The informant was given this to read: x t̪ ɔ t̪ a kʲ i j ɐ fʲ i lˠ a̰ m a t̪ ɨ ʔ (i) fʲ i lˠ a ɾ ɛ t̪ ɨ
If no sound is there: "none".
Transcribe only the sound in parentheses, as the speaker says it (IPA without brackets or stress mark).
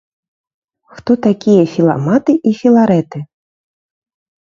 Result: i